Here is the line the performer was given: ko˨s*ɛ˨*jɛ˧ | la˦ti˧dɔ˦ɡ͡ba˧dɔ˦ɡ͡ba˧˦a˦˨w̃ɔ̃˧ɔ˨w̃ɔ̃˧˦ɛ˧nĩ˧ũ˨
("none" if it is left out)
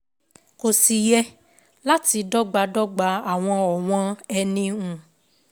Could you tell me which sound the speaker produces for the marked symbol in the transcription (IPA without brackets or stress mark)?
i˨